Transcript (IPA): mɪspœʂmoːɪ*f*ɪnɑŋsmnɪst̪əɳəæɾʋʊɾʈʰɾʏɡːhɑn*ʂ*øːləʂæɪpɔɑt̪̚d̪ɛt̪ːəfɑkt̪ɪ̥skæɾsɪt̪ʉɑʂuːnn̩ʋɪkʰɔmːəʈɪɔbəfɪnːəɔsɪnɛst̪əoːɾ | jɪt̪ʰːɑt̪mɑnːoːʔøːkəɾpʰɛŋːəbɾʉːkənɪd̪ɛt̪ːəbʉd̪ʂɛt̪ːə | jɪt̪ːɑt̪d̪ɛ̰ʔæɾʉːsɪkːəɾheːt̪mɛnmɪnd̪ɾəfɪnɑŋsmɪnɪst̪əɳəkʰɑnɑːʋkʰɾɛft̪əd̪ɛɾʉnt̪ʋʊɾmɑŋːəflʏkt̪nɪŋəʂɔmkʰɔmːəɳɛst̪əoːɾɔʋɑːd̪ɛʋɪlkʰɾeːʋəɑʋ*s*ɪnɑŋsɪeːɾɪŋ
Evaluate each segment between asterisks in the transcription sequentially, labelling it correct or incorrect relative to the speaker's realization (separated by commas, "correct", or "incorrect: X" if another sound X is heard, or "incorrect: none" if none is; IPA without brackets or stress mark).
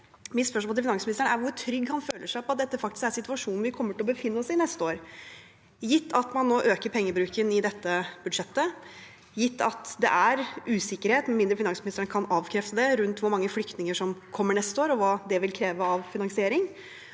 correct, incorrect: f, incorrect: f